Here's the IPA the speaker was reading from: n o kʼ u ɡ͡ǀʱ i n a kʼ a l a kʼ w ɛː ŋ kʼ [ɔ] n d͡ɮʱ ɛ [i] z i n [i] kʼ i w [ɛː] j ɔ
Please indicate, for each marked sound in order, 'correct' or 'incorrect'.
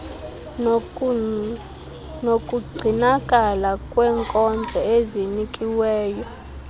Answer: correct, incorrect, correct, correct

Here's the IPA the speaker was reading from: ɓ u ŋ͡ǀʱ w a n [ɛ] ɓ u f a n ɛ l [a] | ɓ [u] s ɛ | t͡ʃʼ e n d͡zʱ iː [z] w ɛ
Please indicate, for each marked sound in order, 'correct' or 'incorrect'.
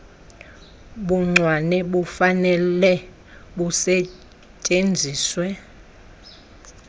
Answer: correct, incorrect, correct, incorrect

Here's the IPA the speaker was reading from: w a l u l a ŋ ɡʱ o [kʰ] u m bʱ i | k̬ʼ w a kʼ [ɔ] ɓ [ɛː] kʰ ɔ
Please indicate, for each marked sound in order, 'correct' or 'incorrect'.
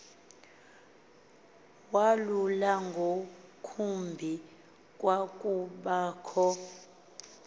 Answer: correct, incorrect, incorrect

